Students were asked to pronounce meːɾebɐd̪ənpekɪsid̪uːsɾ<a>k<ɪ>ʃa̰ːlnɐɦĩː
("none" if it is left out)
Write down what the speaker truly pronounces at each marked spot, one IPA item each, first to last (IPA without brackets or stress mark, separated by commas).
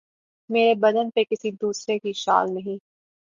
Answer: e, i